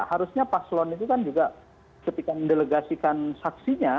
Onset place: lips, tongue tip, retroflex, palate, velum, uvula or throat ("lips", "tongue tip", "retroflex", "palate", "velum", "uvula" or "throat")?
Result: throat